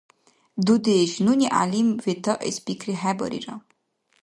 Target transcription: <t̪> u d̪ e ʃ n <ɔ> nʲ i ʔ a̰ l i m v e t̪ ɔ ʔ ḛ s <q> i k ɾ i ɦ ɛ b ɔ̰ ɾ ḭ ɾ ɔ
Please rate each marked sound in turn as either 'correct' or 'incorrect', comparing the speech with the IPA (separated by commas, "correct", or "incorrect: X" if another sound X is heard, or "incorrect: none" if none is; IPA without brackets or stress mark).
incorrect: d̪, incorrect: u, incorrect: p